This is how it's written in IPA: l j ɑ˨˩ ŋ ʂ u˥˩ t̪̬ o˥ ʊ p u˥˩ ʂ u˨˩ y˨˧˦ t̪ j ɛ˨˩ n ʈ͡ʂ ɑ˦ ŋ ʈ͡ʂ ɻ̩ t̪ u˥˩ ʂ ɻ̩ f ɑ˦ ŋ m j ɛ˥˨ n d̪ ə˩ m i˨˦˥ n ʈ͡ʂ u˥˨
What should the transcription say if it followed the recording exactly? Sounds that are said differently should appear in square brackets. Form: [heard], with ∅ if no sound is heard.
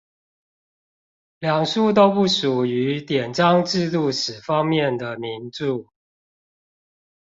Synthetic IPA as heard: l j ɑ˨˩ ŋ ʂ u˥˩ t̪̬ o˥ ʊ p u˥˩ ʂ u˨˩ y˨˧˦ t̪ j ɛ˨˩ n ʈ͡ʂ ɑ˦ ŋ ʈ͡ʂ ɻ̩ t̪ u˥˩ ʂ ɻ̩ f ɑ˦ ŋ m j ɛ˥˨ n d̪ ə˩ m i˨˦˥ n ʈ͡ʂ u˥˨